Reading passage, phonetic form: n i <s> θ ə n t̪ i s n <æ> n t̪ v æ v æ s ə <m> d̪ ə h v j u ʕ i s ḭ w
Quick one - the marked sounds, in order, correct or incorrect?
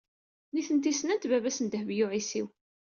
incorrect: none, correct, incorrect: n

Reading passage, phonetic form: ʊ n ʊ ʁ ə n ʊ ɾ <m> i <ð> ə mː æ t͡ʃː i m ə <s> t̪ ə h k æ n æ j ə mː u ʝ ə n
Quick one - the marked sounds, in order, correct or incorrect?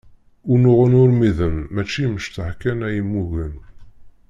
correct, correct, incorrect: ʃ

